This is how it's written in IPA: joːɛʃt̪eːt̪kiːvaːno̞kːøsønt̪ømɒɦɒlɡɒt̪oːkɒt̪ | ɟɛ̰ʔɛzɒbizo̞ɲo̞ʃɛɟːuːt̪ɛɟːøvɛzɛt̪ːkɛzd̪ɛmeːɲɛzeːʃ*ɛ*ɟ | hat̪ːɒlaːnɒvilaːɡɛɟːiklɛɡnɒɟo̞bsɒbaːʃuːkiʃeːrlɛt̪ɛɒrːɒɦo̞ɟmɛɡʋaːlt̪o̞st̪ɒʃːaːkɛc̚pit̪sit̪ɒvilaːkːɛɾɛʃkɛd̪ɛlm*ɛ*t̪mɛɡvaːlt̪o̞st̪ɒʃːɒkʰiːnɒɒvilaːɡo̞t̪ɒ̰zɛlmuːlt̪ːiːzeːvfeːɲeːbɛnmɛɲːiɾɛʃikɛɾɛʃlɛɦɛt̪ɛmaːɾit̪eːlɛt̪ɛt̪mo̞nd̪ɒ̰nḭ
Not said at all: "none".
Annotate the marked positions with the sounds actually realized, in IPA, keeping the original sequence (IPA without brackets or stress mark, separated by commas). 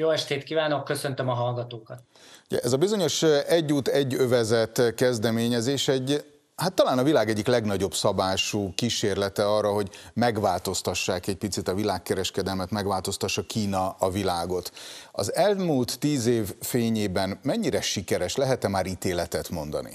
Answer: ɛ, ɛ